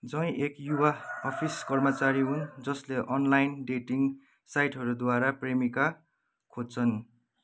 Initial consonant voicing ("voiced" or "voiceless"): voiced